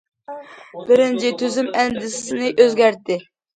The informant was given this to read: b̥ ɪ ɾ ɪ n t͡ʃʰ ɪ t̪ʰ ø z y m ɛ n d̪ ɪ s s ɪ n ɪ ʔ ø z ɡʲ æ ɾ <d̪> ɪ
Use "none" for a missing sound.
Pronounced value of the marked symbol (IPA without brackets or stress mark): t̪